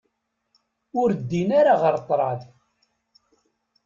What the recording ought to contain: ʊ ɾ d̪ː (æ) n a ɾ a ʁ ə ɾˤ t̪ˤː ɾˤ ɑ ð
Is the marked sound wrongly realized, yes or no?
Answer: yes